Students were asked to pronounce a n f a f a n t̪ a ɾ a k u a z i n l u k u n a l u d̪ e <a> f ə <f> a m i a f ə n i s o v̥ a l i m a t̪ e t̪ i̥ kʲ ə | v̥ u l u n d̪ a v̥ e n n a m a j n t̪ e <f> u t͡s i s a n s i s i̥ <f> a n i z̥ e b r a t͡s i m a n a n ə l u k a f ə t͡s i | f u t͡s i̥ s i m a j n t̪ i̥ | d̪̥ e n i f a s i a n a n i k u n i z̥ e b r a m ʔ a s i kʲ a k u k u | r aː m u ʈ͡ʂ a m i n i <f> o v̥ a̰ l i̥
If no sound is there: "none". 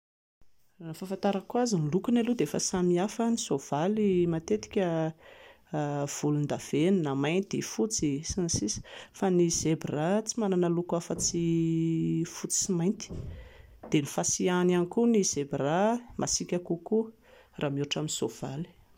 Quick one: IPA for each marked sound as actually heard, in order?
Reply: e, s, f, f, s

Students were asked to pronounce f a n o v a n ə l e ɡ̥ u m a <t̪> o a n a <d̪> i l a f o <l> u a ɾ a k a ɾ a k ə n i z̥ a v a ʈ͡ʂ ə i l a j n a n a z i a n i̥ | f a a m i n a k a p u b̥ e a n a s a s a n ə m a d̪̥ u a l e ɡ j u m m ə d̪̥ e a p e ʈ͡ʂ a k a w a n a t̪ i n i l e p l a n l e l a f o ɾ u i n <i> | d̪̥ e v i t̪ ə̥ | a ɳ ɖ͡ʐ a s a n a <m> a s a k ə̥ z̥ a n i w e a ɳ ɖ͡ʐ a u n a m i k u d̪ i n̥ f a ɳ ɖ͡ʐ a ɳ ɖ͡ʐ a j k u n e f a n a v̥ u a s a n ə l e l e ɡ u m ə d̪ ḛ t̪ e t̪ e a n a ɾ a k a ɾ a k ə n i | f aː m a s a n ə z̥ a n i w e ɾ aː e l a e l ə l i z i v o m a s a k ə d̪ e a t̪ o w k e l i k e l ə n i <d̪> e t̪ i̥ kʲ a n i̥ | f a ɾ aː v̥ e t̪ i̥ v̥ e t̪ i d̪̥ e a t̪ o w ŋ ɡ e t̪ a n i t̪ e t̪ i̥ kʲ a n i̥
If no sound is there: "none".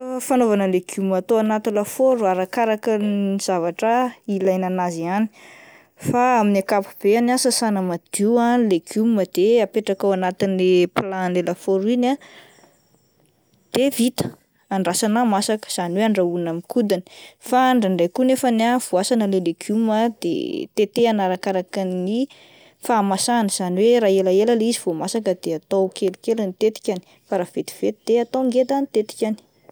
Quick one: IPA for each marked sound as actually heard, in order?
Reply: t̪, t̪, ɾ, a, m, t̪

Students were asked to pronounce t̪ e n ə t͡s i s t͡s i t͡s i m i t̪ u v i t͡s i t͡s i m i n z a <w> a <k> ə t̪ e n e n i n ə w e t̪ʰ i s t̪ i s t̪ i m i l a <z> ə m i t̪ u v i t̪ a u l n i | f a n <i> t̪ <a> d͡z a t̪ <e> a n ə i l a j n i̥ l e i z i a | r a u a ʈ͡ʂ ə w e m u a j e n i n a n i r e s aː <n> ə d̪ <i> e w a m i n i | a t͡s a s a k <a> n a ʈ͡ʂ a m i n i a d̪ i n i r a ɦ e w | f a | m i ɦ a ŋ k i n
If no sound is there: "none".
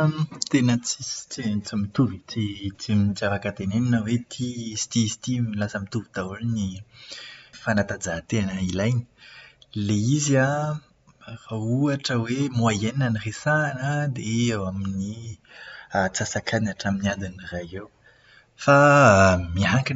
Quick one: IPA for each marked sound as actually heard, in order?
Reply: v, k, s, a, a, e, n, e, a

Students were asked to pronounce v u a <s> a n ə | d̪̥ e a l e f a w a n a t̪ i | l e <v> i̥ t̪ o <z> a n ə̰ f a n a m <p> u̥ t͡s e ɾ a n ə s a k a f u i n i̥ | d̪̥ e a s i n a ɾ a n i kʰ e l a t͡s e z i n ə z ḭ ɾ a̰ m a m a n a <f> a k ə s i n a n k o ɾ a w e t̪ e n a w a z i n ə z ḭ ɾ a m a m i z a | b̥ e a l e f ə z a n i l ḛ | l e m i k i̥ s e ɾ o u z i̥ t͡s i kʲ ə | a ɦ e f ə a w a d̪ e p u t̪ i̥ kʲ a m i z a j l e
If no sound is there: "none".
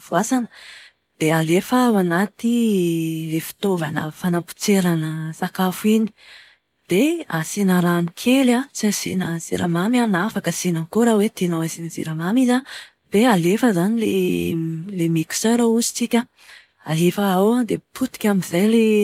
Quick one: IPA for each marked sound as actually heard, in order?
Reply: s, f, v, p, f

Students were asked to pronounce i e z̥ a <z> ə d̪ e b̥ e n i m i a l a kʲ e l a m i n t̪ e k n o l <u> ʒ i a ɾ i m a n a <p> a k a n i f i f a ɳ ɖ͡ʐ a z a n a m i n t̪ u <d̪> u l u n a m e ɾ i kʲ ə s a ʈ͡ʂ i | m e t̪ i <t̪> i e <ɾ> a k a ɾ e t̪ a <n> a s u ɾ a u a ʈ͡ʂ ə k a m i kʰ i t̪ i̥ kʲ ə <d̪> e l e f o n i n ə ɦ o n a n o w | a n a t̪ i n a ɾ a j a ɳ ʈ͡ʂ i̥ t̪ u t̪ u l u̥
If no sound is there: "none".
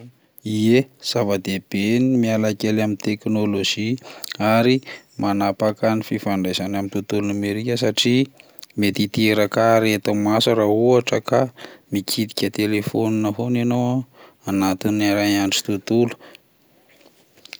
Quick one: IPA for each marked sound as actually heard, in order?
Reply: v, o, p, t̪, t̪, ɾ, m, t̪

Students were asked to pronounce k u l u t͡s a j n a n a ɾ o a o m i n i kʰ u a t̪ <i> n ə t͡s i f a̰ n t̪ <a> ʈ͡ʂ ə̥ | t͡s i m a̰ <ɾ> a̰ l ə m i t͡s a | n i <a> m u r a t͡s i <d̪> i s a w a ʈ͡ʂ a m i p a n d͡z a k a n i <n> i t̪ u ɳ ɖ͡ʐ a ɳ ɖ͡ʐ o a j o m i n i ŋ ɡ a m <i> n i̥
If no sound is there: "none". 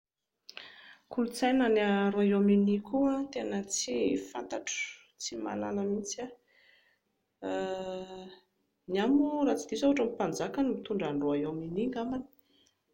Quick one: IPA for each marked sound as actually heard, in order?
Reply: e, a, l, a, d̪, m, a

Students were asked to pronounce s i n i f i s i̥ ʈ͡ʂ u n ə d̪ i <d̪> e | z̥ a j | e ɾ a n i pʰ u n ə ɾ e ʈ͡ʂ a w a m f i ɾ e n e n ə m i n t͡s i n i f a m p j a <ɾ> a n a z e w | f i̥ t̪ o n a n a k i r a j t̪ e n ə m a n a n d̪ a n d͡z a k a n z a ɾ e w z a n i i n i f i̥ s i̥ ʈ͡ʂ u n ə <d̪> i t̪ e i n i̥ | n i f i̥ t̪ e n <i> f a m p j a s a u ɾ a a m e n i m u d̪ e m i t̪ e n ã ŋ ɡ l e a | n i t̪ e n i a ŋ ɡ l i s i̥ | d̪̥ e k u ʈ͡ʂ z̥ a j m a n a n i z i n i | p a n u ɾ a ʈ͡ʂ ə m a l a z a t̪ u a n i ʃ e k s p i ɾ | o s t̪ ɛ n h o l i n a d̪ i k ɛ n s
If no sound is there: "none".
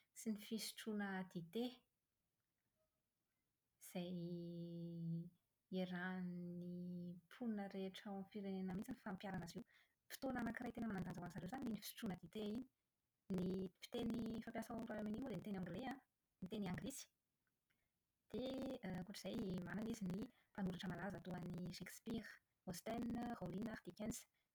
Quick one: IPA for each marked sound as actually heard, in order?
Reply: t̪, ɾ, d̪, i

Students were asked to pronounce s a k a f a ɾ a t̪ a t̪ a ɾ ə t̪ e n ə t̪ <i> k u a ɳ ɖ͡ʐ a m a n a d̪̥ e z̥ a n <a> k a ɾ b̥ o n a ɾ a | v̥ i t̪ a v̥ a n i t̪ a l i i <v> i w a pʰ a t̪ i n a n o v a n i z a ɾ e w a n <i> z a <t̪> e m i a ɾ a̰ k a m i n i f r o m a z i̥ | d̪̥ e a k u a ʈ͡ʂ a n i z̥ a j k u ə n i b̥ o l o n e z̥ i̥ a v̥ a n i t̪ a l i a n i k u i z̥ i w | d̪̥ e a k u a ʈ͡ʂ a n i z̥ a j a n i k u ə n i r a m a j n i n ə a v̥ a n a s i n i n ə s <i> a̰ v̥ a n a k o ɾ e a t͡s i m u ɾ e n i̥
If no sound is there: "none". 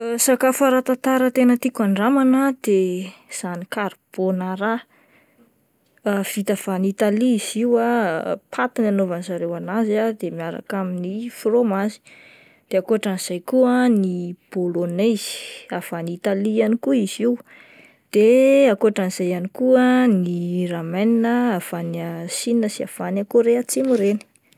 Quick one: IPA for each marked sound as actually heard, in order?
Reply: i, i, z, a, d̪, i

